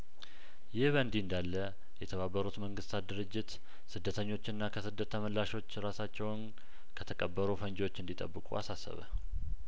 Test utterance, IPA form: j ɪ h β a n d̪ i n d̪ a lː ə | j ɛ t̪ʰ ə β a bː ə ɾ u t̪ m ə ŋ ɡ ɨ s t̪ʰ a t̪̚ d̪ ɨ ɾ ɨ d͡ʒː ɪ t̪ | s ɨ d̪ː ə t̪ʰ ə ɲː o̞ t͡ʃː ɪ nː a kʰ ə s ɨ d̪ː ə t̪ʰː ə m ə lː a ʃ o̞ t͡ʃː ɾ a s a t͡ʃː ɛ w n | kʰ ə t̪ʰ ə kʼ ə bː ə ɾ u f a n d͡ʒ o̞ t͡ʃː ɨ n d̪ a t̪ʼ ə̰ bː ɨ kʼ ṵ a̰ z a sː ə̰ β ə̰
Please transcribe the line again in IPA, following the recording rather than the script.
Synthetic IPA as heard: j ɪ h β ə n d̪ i n d̪ a lː ə | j ɛ t̪ʰ ə β a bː ə ɾ u t̪ m ə ŋ ɡ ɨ s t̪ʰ a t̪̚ d̪ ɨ ɾ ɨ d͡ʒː ɪ t̪ | s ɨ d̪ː ə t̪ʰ ə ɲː o̞ t͡ʃː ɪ nː a kʰ ə s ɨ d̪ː ə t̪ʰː ə m ə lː a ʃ o̞ t͡ʃː ɾ a s a t͡ʃː ɛ w n | kʰ ə t̪ʰ ə kʼ ə bː ə ɾ u f ə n d͡ʒ o̞ t͡ʃː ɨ n d̪ i t̪ʼ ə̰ bː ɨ kʼ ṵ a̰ s a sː ə̰ β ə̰